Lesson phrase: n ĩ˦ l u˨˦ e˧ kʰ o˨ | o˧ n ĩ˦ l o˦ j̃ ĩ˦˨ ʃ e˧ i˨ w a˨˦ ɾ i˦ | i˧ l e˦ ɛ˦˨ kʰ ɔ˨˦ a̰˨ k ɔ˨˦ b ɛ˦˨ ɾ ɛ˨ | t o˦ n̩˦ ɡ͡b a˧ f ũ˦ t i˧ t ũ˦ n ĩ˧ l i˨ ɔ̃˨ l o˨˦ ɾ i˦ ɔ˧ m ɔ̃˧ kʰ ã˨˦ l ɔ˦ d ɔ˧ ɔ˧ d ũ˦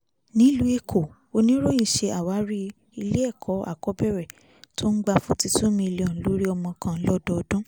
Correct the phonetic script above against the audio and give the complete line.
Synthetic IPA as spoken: n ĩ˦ l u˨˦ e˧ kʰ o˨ | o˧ n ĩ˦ ɾ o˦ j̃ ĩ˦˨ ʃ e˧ a˨ w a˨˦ ɾ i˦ | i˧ l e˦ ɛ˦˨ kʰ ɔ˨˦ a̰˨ k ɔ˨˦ b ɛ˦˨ ɾ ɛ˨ | t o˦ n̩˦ ɡ͡b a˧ f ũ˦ t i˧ t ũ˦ m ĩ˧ l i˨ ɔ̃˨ l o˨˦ ɾ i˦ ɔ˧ m ɔ̃˧ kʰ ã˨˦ l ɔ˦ d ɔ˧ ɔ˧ d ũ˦

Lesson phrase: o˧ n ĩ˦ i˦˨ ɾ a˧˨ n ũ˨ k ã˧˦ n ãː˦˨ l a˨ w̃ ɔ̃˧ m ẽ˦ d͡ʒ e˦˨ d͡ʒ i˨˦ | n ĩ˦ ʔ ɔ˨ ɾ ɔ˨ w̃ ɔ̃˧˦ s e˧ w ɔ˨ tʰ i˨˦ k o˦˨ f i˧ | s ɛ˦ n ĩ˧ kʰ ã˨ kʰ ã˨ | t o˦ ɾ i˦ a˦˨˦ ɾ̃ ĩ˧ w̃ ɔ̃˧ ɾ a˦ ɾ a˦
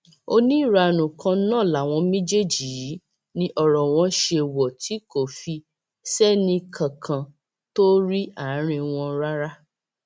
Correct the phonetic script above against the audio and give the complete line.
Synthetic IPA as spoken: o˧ n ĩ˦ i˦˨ ɾ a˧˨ n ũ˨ k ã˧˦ n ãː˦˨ l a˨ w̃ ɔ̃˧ m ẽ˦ d͡ʒ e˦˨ d͡ʒ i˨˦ | n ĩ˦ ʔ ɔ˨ ɾ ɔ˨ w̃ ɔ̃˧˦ ʃ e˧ w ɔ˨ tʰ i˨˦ k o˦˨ f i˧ | s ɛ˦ n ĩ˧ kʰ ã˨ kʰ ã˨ | t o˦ ɾ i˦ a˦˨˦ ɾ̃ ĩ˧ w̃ ɔ̃˧ ɾ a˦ ɾ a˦

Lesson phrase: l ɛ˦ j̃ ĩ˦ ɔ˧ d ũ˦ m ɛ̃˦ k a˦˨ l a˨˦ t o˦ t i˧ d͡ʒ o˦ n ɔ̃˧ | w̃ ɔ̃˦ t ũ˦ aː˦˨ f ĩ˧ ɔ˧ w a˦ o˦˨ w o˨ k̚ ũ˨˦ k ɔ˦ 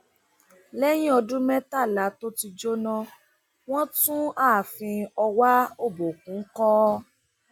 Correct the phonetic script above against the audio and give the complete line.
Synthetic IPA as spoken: l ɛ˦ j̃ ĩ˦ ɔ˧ d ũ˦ m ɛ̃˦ t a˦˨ l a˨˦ t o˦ t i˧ d͡ʒ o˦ n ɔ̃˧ | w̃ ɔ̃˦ t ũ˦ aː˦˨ f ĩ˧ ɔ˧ w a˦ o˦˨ b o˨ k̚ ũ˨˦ k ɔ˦

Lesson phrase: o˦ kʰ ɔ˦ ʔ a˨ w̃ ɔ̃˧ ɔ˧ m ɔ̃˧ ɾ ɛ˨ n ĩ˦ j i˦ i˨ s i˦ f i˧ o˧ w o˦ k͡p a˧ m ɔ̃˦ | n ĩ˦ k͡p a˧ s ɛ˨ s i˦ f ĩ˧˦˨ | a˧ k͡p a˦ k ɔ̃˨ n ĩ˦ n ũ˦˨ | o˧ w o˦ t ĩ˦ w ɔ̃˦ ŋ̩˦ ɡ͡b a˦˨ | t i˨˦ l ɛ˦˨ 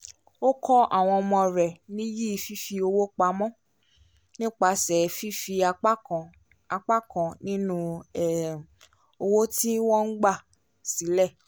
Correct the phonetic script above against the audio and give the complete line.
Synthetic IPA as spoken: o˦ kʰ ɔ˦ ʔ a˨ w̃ ɔ̃˧ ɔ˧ m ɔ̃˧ ɾ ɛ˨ n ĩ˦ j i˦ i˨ f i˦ f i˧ o˧ w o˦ k͡p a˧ m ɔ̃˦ | n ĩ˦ k͡p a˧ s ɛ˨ f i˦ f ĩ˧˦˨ | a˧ k͡p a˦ k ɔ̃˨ n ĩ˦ n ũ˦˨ | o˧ w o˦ t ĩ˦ w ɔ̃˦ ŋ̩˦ ɡ͡b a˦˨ | s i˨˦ l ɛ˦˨

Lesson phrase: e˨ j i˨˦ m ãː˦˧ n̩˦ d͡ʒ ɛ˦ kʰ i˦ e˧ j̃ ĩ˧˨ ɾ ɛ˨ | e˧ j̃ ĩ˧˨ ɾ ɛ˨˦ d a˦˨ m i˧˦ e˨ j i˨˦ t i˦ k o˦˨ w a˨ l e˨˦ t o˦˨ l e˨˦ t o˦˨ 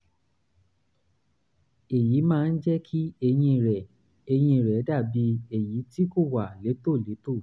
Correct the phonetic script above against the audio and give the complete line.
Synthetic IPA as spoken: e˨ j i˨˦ m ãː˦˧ n̩˦ d͡ʒ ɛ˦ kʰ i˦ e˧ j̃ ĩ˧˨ ɾ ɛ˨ | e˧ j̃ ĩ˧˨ ɾ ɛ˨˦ d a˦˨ b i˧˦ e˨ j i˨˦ t i˦ k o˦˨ w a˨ l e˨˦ t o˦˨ l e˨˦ t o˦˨

